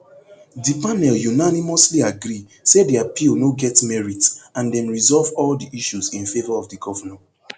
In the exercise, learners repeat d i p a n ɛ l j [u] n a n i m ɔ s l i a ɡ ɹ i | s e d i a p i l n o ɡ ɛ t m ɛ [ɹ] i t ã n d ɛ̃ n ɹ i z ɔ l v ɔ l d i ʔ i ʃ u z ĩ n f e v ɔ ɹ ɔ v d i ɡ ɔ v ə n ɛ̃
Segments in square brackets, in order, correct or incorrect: correct, correct

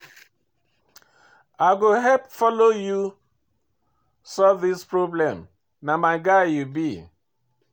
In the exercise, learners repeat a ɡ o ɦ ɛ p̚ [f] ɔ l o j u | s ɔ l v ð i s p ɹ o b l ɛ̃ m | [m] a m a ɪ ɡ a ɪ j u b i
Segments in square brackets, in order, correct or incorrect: correct, incorrect

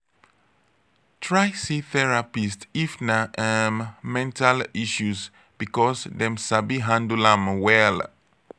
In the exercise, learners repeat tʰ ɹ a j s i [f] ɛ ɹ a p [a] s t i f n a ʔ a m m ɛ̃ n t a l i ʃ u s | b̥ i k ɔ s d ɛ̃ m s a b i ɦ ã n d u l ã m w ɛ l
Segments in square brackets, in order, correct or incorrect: incorrect, incorrect

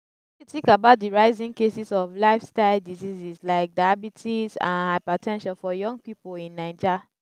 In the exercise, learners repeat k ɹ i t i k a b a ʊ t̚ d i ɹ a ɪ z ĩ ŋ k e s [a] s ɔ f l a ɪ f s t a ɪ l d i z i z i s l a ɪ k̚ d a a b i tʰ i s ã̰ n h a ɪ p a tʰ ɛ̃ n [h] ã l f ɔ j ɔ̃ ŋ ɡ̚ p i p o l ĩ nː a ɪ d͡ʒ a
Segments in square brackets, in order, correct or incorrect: incorrect, incorrect

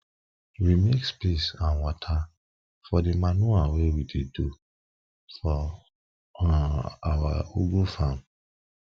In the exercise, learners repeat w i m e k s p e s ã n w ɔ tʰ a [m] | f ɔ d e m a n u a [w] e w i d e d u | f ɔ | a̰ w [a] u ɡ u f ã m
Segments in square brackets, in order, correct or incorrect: incorrect, correct, correct

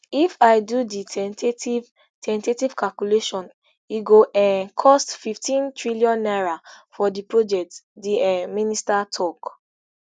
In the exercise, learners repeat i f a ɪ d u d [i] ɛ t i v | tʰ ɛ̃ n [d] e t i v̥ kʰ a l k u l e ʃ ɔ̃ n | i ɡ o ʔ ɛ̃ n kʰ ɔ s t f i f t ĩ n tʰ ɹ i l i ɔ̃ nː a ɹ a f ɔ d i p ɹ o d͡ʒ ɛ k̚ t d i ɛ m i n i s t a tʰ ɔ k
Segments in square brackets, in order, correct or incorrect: correct, incorrect

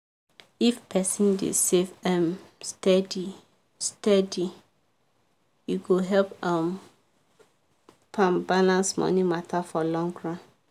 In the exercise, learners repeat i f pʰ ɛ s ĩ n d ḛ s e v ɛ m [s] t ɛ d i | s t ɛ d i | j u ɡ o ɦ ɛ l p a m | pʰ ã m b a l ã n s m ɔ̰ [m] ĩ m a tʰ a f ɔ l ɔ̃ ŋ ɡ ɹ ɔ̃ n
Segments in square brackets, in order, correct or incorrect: correct, incorrect

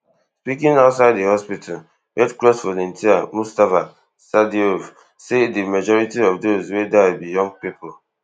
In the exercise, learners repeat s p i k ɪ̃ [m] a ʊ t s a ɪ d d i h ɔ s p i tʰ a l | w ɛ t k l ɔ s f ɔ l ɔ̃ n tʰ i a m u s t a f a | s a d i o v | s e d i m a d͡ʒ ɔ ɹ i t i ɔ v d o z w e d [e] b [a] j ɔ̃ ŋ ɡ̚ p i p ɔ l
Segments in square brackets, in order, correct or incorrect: incorrect, incorrect, incorrect

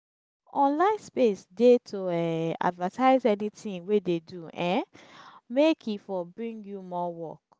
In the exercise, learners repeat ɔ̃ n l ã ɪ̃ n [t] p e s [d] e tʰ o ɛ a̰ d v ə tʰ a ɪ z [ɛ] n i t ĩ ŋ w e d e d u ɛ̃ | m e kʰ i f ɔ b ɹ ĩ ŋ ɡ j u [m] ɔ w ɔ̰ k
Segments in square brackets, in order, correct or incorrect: incorrect, correct, correct, correct

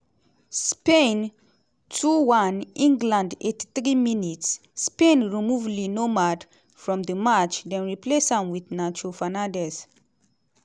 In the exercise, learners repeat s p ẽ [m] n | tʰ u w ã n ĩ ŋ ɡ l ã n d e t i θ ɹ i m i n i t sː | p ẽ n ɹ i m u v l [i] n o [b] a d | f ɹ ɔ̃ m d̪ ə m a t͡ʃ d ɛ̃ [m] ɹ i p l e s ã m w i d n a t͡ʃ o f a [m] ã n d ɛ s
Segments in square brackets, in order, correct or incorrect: incorrect, correct, incorrect, incorrect, incorrect

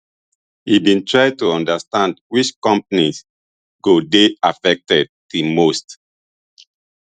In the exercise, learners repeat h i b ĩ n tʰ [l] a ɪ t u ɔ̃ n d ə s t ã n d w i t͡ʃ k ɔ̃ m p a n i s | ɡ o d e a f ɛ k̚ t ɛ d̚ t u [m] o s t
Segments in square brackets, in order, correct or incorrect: incorrect, correct

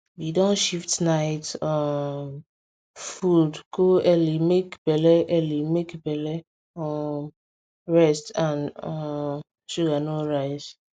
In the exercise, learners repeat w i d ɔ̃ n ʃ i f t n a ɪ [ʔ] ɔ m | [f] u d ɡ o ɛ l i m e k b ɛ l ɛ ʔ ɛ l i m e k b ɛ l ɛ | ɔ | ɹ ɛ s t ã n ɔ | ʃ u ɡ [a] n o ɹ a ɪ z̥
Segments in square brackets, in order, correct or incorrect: incorrect, correct, correct

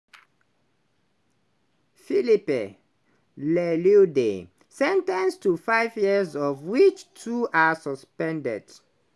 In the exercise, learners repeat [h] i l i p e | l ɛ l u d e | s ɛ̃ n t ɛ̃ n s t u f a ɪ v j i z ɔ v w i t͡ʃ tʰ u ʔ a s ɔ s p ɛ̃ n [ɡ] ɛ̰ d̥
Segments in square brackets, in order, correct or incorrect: incorrect, incorrect

